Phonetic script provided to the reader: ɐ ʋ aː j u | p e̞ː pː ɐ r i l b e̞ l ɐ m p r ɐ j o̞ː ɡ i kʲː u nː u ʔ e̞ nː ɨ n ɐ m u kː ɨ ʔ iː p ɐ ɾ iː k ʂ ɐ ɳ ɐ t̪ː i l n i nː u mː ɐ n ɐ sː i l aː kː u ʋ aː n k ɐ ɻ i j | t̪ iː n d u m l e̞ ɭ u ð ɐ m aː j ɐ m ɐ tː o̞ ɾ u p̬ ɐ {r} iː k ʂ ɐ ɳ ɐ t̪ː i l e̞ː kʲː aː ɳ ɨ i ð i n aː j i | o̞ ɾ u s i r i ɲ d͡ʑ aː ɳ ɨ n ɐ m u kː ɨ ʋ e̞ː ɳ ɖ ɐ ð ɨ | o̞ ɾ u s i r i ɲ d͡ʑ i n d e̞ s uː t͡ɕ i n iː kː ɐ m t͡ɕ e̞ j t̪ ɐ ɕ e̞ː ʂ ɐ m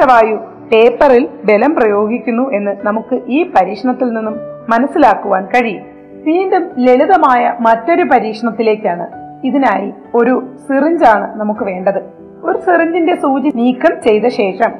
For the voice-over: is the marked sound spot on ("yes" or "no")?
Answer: no